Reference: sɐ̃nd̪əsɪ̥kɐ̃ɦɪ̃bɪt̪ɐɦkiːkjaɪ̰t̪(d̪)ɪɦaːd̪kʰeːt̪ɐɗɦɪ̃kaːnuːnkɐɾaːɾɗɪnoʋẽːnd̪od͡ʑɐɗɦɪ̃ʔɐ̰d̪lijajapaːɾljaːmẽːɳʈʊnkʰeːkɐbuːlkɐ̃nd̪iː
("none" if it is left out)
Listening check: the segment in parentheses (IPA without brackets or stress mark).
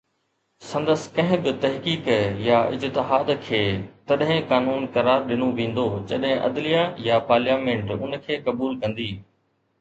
t̪